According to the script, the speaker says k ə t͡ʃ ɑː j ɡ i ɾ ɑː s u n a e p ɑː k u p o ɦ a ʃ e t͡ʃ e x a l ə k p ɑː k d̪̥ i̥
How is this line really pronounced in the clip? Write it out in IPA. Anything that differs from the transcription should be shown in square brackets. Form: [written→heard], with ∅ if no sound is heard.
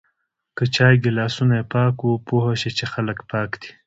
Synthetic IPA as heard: k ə t͡ʃ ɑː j ɡ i [ɾ→l] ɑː s u n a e p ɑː k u p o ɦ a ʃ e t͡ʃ e x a l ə k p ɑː k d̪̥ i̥